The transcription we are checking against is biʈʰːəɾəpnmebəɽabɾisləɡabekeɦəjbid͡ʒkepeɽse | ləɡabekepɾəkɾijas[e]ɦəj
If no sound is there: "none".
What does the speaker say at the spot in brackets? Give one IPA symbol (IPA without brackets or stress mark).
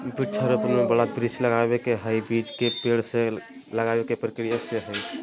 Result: e